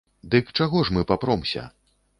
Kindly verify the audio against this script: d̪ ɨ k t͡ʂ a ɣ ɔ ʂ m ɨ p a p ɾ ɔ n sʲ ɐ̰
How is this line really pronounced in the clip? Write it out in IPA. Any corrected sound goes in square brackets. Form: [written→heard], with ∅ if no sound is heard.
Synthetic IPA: d̪ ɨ k t͡ʂ a ɣ ɔ ʂ m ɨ p a p ɾ ɔ [n→m] sʲ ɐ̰